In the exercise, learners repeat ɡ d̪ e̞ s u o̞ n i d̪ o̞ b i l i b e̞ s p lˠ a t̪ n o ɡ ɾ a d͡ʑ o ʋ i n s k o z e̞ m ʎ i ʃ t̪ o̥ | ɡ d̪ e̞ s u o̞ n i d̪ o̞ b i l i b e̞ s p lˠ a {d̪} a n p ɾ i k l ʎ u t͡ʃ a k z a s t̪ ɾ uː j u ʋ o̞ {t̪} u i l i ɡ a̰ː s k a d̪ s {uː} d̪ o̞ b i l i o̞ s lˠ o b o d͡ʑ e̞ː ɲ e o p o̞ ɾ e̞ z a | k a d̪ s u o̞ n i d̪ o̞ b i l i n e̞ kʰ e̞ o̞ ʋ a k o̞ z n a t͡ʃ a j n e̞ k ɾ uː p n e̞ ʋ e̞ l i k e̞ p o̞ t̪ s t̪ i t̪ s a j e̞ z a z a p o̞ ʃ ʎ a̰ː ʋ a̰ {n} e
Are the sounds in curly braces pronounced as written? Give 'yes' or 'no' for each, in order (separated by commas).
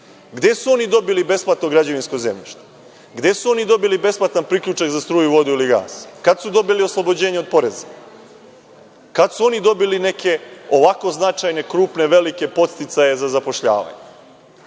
no, no, no, no